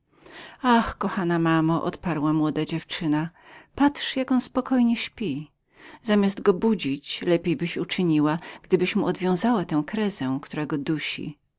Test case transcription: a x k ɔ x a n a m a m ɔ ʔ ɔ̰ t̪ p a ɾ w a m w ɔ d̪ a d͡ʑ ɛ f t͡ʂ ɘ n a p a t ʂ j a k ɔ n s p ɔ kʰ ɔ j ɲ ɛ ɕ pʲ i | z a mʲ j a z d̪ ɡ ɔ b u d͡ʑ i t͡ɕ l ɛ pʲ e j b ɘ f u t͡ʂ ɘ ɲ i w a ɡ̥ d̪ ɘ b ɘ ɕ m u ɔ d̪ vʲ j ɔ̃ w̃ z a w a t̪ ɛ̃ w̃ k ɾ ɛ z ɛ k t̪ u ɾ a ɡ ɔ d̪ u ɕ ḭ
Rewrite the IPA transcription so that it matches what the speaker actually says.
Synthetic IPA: a x k ɔ x a n a m a m ɔ ʔ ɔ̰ t̪ p a ɾ w a m w ɔ d̪ a d͡ʑ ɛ f t͡ʂ ɘ n a p a t ʂ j a k ɔ n s p ɔ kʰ ɔ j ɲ ɛ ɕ pʲ i | z a mʲ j a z d̪ ɡ ɔ b u d͡ʑ i t͡ɕ l ɛ pʲ e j b ɘ ɕ u t͡ʂ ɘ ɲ i w a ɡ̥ d̪ ɘ b ɘ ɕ m u ɔ d̪ vʲ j ɔ̃ w̃ z a w a t̪ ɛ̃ w̃ k ɾ ɛ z ɛ k t̪ u ɾ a ɡ ɔ d̪ u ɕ ḭ